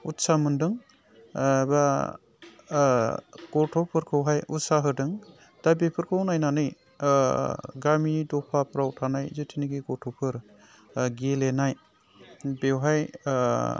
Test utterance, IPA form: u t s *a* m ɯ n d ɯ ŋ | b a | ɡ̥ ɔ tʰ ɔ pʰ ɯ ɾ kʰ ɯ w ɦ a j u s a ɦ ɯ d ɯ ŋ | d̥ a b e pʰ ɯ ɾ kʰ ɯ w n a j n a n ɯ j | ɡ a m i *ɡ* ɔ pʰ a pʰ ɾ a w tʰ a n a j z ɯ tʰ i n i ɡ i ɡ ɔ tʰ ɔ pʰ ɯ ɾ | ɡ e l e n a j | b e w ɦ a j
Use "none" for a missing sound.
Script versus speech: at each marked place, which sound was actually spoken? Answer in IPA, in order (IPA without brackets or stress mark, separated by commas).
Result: a, d